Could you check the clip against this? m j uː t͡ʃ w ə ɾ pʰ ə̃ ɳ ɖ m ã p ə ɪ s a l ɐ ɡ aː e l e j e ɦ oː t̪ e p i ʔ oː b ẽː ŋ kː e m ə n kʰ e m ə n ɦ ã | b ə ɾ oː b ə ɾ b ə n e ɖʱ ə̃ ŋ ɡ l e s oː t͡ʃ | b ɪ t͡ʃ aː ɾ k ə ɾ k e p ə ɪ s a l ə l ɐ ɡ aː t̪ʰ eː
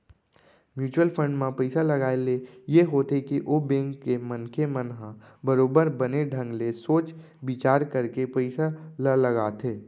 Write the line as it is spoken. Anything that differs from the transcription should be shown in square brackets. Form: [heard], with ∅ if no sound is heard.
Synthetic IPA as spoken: m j uː t͡ʃ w ə [l] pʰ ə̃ ɳ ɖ m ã p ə ɪ s a l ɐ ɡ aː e l e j e ɦ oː t̪ e [k] i ʔ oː b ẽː ŋ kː e m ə n kʰ e m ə n ɦ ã | b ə ɾ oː b ə ɾ b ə n e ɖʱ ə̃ ŋ ɡ l e s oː t͡ʃ | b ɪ t͡ʃ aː ɾ k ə ɾ k e p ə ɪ s a l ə l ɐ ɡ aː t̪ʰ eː

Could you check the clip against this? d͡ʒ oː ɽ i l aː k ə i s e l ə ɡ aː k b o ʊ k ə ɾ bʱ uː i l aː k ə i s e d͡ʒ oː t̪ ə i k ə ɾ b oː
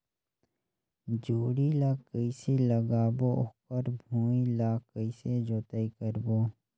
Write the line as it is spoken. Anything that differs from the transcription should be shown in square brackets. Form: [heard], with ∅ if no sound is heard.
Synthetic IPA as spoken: d͡ʒ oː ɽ i l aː k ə i s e l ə ɡ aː [∅] b o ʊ k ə ɾ bʱ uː i l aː k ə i s e d͡ʒ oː t̪ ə i k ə ɾ b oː

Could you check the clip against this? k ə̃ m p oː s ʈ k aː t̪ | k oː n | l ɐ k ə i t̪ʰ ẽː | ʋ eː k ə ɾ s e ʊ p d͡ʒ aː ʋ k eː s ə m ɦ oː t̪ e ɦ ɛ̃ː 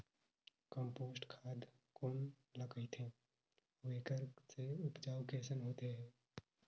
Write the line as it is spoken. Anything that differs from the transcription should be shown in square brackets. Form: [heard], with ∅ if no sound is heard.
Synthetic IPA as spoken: k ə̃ m p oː s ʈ [kʰ] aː [d̪] | k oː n | l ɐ k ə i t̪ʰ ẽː | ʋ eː k ə ɾ s e ʊ p d͡ʒ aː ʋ k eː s ə [n] ɦ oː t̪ e ɦ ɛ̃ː

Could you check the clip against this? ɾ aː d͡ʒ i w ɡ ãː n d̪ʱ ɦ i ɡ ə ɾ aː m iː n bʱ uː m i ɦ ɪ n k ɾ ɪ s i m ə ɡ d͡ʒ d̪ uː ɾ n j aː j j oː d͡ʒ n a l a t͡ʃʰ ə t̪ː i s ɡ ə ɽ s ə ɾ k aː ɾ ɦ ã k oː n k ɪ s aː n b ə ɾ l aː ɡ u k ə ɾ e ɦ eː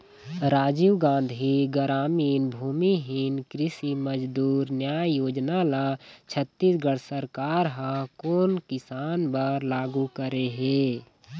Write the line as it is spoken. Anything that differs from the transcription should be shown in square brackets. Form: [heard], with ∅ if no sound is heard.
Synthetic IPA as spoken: ɾ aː d͡ʒ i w ɡ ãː n d̪ʱ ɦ i ɡ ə ɾ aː m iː n bʱ uː m i ɦ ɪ n k ɾ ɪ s i m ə [∅] d͡ʒ d̪ uː ɾ n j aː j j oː d͡ʒ n a l a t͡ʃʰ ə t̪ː i s ɡ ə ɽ s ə ɾ k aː ɾ ɦ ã k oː n k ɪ s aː n b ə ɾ l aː ɡ u k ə ɾ e ɦ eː

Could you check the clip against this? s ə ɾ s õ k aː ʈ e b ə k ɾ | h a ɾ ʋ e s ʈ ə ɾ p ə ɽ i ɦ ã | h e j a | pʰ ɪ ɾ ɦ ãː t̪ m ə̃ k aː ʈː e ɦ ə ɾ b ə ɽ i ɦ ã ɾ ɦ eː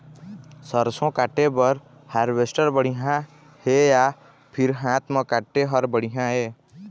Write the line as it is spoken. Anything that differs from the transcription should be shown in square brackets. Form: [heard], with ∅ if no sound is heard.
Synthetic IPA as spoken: s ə ɾ s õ k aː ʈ e b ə [∅] ɾ | h a ɾ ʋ e s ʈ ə ɾ [b] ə ɽ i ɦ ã | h e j a | pʰ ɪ ɾ ɦ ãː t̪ m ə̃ k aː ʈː e ɦ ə ɾ b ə ɽ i ɦ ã [∅] ɦ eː

